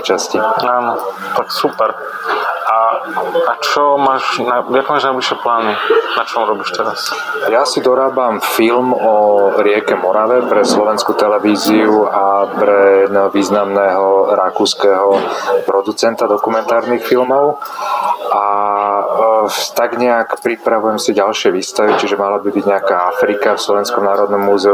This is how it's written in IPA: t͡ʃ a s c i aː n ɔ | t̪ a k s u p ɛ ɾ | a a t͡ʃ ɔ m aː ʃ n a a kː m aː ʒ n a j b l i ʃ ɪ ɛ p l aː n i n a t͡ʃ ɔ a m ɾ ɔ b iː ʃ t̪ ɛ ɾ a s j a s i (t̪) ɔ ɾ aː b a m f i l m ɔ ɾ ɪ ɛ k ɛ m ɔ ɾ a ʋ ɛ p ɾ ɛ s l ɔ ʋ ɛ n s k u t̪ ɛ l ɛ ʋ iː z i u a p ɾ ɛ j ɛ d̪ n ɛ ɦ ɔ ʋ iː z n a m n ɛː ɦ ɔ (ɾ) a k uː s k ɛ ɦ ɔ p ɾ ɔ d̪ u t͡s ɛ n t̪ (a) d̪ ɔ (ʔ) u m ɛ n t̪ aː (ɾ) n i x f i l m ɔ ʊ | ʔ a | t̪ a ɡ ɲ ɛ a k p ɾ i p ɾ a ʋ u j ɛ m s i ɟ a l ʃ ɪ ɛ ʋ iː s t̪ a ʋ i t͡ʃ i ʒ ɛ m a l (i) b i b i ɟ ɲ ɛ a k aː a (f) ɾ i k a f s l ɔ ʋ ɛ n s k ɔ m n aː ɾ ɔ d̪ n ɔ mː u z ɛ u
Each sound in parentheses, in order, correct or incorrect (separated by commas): incorrect, correct, correct, incorrect, correct, incorrect, correct